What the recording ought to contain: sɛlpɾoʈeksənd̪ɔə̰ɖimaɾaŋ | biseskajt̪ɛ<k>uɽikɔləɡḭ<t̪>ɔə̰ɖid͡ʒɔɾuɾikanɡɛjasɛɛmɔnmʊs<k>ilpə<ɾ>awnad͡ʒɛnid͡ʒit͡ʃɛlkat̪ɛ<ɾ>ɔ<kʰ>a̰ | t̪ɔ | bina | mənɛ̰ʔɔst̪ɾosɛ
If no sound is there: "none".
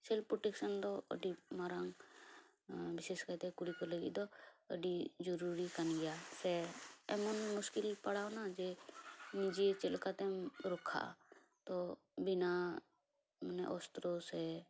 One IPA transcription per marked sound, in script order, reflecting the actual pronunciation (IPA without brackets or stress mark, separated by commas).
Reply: k, d̪, k, ɽ, ɾ, kʰ